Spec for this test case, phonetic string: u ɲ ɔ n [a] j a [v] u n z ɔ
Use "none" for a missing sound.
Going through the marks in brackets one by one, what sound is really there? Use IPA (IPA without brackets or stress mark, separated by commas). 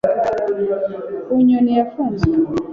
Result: i, f